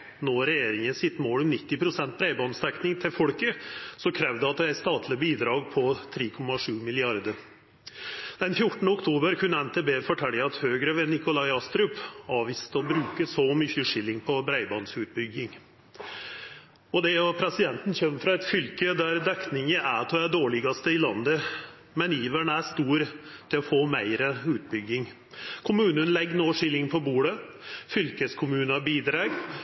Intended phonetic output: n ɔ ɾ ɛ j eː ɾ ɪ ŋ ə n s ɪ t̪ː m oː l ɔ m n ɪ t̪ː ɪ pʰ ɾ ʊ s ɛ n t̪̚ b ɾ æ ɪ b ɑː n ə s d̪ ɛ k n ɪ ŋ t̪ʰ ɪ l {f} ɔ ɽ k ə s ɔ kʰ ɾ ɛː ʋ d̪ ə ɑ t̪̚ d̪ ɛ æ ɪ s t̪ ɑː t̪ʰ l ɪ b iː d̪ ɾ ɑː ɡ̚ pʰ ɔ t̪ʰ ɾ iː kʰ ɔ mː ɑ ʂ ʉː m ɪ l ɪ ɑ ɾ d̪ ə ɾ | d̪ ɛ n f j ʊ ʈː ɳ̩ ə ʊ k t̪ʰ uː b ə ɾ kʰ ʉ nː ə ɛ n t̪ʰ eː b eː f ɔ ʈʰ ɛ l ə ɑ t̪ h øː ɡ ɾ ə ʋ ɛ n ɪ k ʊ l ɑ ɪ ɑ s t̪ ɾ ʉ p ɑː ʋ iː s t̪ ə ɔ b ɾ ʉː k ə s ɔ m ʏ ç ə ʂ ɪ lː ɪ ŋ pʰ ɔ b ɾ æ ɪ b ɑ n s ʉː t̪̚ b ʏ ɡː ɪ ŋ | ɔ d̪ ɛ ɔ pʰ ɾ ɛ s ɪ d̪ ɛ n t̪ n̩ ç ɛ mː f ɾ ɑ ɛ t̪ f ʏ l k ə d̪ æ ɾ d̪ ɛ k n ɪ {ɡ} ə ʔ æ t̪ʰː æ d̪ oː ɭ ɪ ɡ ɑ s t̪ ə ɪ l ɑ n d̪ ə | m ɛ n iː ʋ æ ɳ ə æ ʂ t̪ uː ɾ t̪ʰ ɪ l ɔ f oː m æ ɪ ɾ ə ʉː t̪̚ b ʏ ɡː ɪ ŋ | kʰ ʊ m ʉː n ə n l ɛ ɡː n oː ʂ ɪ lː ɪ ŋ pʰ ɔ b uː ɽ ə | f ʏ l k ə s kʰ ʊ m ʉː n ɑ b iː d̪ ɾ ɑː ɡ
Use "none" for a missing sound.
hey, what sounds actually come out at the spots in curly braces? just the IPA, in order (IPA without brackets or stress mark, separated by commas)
f, ŋ